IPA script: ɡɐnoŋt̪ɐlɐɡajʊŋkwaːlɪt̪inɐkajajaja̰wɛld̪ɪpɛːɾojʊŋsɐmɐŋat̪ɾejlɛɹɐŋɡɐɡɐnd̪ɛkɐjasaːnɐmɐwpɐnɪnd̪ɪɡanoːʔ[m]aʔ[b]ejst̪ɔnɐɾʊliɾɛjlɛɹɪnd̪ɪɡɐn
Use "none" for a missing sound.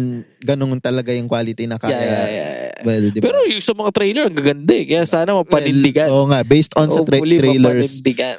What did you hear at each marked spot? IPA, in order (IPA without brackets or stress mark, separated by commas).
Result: ŋ, b